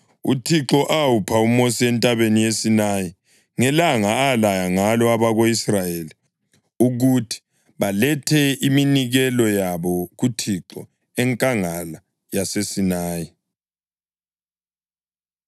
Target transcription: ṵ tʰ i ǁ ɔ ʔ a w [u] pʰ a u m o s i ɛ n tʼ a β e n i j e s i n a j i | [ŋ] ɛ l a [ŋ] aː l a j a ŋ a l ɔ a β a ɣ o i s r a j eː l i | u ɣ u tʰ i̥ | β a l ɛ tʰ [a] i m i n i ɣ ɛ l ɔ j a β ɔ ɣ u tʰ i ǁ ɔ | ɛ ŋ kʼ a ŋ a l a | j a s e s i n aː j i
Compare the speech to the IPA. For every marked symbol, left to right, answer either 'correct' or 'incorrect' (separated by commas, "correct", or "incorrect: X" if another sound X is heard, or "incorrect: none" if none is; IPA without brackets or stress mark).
correct, correct, correct, incorrect: ɛ